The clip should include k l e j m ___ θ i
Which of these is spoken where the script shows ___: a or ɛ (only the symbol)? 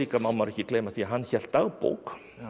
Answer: a